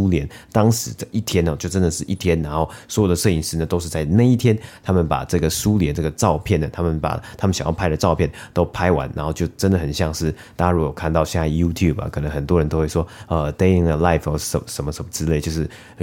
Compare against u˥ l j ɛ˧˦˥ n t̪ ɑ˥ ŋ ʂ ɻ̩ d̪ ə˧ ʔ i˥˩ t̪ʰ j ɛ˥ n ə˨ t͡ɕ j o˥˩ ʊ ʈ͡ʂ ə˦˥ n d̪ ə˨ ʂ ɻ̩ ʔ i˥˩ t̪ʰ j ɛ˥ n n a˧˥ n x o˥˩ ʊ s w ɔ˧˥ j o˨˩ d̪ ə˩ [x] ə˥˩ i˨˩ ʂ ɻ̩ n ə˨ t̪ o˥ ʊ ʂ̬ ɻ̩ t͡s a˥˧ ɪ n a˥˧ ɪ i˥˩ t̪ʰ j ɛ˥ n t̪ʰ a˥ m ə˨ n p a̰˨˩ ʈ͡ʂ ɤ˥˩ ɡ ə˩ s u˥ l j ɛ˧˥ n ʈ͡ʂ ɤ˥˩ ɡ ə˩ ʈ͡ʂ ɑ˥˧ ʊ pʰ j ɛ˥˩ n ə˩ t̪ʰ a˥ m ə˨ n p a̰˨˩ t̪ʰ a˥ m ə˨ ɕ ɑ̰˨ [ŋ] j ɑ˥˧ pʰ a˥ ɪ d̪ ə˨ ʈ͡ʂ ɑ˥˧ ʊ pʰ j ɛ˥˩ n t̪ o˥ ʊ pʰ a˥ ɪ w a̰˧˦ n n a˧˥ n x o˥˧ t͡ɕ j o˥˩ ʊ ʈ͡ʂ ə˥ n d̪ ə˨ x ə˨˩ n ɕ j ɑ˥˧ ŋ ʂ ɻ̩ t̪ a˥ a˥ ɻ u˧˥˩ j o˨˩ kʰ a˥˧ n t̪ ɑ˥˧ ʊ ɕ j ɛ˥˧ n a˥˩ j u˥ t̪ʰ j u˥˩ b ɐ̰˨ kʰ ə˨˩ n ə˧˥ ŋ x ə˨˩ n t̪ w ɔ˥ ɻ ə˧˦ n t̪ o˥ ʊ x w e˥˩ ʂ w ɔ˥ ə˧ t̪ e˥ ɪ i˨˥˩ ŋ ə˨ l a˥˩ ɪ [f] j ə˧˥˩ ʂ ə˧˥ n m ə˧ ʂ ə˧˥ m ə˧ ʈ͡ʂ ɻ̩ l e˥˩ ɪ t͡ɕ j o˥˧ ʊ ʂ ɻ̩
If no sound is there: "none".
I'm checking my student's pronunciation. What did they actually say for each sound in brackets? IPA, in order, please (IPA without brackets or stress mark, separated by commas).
ʂ, ŋ, f